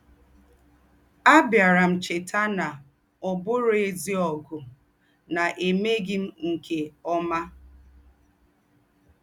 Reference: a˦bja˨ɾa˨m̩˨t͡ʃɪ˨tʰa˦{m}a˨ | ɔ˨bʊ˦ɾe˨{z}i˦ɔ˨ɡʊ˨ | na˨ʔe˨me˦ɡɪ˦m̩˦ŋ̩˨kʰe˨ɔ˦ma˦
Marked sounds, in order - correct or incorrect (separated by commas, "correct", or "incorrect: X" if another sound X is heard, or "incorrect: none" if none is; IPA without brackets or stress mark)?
incorrect: n, correct